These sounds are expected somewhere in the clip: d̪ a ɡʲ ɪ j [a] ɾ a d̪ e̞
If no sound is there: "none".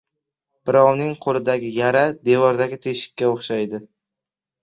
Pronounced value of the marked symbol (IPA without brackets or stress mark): a